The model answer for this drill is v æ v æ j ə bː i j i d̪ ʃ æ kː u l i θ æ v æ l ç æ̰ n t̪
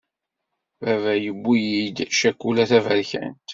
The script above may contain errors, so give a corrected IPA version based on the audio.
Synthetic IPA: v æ v æ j ə bː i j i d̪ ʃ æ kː u l æ θ æ v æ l ç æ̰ n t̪